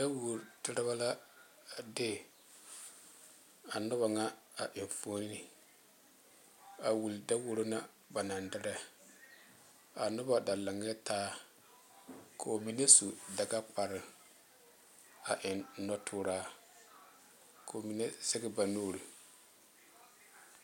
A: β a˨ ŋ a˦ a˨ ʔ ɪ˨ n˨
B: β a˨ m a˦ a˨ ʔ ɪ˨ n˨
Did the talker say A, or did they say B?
A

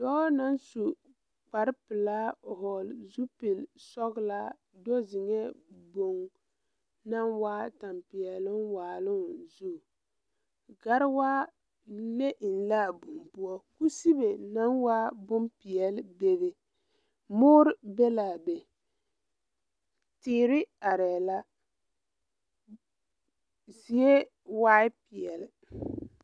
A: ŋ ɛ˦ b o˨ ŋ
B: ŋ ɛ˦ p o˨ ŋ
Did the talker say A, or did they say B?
A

